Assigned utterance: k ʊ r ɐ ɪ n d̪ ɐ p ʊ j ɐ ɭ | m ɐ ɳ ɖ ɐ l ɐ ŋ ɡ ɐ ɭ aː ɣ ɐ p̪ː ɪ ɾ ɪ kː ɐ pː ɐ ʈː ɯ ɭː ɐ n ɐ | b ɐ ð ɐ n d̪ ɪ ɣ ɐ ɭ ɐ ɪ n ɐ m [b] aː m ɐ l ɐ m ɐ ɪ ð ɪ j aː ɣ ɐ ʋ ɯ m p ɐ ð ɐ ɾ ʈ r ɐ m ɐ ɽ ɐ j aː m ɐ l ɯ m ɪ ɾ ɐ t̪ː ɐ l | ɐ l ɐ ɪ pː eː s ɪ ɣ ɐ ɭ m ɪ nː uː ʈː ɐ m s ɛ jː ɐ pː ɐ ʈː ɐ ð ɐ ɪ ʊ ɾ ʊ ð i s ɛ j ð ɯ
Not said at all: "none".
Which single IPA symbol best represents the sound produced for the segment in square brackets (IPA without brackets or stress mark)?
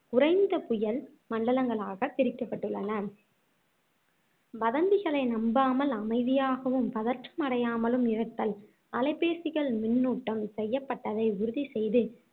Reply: b